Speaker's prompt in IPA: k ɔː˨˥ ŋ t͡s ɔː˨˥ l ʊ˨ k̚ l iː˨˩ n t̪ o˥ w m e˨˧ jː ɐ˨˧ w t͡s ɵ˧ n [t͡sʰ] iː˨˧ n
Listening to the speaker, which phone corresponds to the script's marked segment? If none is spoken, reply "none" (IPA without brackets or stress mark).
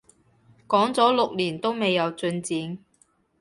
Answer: t͡s